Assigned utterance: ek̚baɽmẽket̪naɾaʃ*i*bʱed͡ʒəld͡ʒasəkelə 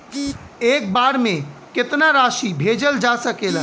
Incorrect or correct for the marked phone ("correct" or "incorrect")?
correct